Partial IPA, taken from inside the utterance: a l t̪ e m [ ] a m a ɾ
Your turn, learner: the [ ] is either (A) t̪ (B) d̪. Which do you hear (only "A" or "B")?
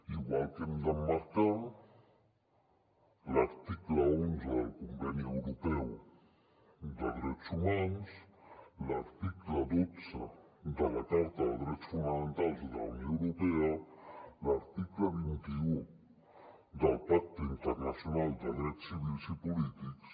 B